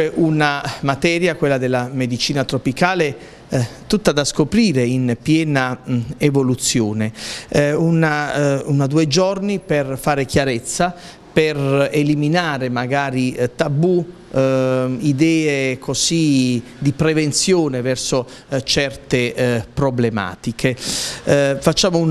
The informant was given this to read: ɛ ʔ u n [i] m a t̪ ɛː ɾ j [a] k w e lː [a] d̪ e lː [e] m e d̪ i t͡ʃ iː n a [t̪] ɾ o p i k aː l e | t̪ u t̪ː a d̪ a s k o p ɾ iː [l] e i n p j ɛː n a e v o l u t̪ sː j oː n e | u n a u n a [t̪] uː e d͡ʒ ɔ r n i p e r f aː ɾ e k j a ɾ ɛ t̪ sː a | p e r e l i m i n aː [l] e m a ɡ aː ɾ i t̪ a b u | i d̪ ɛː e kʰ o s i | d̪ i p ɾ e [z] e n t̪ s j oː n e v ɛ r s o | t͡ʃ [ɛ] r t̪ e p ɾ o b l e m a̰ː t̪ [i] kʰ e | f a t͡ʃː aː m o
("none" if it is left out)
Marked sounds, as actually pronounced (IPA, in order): a, a, a, a, t̪, ɾ, d̪, ɾ, v, ɛ, i

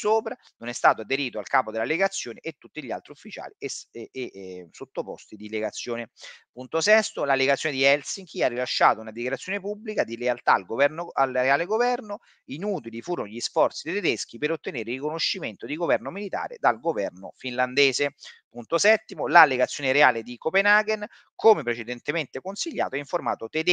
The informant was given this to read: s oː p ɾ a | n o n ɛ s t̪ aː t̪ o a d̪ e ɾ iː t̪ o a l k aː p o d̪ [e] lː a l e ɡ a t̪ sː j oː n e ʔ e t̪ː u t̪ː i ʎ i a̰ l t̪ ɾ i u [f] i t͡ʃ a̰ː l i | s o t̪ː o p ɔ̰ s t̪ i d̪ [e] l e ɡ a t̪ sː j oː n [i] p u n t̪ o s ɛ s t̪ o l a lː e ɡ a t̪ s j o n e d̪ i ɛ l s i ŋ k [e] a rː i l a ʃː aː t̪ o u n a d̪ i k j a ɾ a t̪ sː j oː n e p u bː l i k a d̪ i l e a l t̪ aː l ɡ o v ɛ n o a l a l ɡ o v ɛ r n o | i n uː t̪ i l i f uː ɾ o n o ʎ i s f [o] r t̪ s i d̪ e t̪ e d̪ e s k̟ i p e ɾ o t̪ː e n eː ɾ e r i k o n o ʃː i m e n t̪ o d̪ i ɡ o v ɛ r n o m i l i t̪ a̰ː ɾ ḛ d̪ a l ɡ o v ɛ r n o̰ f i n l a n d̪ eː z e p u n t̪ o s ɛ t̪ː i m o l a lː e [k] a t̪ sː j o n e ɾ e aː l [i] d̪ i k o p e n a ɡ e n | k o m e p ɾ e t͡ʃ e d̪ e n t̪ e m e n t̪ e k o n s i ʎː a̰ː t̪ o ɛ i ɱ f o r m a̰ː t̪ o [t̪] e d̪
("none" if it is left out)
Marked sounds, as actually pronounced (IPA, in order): e, fː, i, e, i, ɔ, ɡ, e, t̪

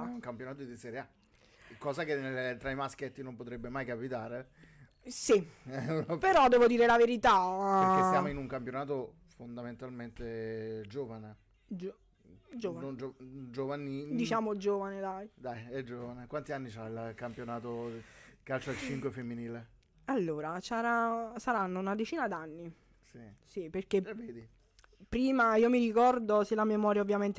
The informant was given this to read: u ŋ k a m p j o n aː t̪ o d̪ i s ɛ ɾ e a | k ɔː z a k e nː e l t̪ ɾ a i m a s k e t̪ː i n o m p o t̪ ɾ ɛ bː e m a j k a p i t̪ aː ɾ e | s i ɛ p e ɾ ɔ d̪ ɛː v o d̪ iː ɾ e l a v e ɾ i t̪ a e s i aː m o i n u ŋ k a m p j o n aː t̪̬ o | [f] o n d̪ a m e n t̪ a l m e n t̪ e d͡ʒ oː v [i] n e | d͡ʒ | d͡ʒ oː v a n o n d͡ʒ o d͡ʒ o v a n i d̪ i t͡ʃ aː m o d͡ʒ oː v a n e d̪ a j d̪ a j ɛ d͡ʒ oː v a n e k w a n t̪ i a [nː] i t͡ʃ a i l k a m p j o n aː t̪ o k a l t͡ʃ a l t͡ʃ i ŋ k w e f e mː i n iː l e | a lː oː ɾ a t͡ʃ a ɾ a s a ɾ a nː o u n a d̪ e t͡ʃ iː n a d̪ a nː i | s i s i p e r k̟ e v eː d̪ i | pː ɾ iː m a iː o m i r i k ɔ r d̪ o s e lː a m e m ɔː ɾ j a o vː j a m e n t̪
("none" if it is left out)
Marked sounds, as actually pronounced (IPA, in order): f, a, nː

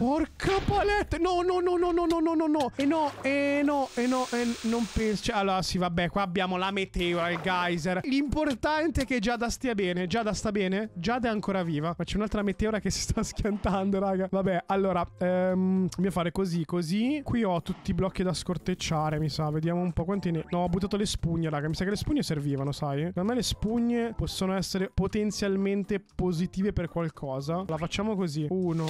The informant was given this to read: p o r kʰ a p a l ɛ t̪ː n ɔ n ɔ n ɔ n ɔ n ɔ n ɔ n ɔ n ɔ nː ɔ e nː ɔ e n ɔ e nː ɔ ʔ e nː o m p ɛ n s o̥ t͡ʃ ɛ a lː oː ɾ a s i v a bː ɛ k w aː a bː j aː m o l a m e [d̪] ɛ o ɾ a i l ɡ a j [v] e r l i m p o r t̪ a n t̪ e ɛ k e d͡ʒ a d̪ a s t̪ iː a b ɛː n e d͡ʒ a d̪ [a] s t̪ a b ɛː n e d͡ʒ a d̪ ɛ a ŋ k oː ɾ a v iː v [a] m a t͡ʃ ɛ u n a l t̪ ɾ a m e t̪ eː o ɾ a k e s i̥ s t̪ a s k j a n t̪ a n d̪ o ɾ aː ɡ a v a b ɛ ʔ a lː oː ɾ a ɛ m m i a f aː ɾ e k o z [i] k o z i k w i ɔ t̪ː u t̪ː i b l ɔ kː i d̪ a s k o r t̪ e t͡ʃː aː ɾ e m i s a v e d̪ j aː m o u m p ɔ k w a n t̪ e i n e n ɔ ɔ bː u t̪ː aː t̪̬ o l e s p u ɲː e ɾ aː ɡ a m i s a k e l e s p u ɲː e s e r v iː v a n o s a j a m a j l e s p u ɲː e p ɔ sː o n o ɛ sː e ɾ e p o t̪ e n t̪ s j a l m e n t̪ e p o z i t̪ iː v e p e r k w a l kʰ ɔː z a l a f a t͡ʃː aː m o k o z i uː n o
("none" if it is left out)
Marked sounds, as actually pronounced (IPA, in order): t̪, z, a, a, i

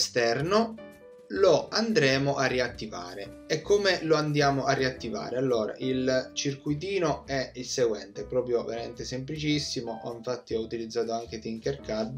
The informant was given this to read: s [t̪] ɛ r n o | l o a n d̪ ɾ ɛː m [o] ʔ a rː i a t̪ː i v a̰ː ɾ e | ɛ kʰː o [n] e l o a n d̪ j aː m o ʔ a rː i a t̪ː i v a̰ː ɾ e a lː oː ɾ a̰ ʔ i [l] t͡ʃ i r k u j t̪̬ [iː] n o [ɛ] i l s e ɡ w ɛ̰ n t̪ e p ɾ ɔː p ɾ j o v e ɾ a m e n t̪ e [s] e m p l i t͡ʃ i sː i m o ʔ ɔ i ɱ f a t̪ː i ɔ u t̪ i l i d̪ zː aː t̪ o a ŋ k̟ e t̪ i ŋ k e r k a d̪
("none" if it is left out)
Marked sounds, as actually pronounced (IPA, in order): t̪, o, m, l, iː, ɛ, s

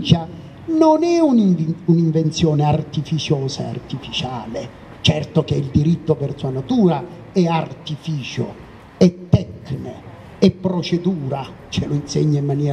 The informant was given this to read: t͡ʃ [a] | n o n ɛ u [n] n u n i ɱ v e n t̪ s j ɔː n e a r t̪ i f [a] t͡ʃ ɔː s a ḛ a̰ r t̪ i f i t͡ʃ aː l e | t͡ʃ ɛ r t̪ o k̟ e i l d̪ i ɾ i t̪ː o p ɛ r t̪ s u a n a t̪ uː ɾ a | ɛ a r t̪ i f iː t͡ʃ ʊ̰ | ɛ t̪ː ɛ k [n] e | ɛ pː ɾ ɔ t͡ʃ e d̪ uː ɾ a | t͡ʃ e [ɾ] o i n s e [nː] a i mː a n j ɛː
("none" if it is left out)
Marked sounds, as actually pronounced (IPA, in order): a, n, i, n, l, ɲː

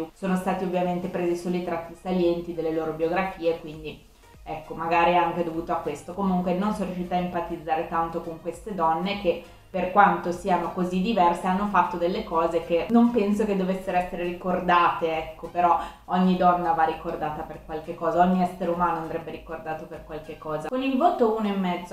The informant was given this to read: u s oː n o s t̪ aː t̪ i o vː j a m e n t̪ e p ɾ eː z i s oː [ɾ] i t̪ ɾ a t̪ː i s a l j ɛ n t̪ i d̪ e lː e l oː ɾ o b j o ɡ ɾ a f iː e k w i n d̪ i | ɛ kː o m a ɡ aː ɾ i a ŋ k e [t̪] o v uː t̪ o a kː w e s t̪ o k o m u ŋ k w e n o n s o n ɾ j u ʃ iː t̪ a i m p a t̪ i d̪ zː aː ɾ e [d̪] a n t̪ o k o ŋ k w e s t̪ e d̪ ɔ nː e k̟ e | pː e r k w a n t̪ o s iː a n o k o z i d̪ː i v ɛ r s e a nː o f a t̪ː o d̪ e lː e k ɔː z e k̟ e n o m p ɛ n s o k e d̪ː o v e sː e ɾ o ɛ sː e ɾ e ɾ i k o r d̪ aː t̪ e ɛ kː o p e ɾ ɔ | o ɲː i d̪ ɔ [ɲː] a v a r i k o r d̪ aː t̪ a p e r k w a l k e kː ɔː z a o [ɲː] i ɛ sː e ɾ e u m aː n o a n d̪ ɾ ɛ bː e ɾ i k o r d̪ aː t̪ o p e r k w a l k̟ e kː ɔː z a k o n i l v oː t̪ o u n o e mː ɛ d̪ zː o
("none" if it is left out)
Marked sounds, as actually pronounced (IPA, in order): l, d̪, t̪, nː, ɲː

